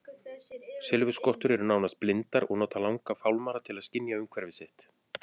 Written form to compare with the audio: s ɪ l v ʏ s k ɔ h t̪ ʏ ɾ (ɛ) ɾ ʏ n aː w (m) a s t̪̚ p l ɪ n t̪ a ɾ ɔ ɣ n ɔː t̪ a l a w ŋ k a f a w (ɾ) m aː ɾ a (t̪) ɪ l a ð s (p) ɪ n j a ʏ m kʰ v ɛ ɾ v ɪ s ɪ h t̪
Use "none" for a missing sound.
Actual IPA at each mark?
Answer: ɛ, n, l, t̪ʰ, c

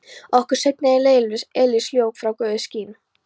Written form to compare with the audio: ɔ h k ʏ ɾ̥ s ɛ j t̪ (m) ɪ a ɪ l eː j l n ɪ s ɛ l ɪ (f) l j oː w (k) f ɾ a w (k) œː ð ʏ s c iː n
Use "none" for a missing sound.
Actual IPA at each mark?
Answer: n, s, k, k

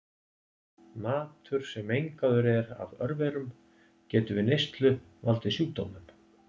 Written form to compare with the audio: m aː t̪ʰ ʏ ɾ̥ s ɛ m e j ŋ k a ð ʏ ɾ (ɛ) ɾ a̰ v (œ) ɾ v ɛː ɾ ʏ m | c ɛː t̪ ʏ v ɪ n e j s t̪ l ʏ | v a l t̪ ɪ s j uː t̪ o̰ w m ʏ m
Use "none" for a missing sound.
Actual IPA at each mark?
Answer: ɛ, œ

